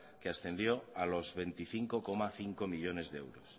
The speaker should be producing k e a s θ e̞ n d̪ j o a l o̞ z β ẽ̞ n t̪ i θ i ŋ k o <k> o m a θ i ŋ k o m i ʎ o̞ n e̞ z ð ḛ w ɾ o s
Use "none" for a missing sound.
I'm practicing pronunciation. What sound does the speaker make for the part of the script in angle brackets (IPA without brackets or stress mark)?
k